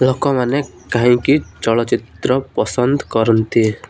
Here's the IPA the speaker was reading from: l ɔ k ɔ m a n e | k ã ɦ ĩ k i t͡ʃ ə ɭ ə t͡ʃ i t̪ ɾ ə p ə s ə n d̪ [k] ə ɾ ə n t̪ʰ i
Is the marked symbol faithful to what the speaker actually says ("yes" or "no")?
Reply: yes